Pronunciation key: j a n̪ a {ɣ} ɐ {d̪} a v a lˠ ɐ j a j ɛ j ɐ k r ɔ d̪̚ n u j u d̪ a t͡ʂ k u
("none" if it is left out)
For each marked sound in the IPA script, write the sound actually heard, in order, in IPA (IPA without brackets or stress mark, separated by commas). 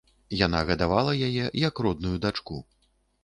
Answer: ɣ, d̪